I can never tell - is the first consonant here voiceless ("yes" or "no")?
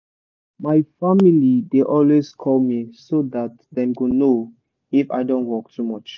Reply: no